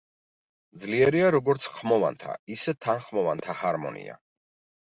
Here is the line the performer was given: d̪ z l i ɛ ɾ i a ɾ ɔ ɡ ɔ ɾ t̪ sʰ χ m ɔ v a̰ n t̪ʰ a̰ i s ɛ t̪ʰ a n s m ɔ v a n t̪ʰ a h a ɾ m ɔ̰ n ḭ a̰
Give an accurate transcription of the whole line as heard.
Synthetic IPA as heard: d̪ z l i ɛ ɾ i a ɾ ɔ ɡ ɔ ɾ t̪ sʰ χ m ɔ v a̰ n t̪ʰ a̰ i s ɛ t̪ʰ a n χ m ɔ v a n t̪ʰ a h a ɾ m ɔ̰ n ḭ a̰